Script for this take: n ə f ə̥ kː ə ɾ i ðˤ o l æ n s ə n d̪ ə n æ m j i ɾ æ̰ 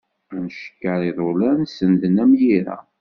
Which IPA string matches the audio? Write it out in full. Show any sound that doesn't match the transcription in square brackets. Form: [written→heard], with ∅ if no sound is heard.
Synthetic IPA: n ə [f→ʃ] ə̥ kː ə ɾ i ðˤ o l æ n s ə n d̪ ə n æ m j i ɾ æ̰